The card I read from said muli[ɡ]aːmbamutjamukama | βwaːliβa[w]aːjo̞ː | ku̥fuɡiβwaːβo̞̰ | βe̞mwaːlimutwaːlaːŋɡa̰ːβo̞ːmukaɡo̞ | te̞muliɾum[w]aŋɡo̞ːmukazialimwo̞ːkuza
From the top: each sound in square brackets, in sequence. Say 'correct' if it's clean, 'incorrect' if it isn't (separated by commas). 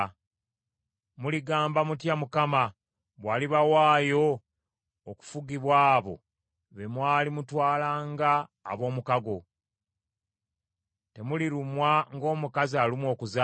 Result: correct, correct, correct